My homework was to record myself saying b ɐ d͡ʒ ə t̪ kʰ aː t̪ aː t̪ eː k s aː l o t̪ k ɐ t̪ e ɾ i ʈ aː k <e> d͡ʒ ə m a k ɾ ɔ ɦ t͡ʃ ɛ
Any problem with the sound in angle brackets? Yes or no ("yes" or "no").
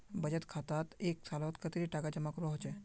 yes